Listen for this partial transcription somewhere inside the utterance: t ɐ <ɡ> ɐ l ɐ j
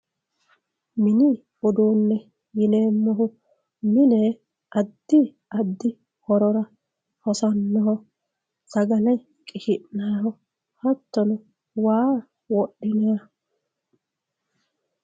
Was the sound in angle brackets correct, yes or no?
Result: yes